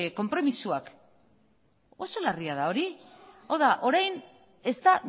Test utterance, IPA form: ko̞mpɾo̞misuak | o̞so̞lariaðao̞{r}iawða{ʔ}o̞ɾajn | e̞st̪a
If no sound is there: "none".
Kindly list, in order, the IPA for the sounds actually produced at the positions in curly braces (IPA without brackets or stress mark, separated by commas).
ɾ, ʔ